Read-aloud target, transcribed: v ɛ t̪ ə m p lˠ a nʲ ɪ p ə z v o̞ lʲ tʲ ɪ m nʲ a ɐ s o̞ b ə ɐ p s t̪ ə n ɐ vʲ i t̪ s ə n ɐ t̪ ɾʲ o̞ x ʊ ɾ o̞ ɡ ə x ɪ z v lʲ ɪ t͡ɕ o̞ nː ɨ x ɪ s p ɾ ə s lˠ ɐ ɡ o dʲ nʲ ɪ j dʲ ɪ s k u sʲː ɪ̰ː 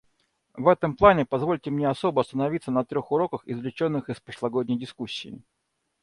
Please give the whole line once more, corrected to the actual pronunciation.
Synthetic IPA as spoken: v ɛ t̪ ə m p lˠ a nʲ ɪ p ɐ z v o̞ lʲ tʲ ɪ m nʲ e ɐ s o̞ b ə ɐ s t̪ ə n ɐ vʲ i t̪ s ə n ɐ t̪ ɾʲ o̞ x ʊ ɾ o̞ k ə x ɪ z v lʲ ɪ t͡ɕ o̞ nː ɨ x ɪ s p ɾ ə ʂ lˠ ɐ ɡ o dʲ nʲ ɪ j dʲ ɪ s k u sʲː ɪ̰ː